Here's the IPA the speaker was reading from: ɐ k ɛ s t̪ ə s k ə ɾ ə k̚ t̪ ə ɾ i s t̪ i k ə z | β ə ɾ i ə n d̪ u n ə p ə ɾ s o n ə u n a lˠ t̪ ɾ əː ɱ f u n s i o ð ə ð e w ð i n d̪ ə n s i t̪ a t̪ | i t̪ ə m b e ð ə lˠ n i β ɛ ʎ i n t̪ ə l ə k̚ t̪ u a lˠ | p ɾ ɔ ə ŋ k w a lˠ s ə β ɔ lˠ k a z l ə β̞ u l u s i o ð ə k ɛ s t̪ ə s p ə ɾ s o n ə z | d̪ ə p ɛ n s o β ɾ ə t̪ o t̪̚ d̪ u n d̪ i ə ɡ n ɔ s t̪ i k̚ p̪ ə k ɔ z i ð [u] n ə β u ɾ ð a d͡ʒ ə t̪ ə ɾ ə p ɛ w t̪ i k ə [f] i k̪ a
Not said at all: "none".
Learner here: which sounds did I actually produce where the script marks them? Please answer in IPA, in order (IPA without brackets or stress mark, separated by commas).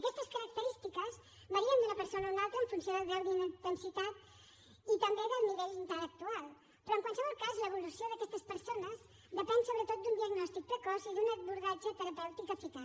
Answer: u, f